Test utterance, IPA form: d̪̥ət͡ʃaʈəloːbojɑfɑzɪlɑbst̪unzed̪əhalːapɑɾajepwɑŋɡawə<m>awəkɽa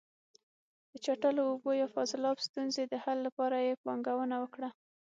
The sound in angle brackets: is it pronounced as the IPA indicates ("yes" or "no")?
no